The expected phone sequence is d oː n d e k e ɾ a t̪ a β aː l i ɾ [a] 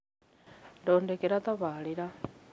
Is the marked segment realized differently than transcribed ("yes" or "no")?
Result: no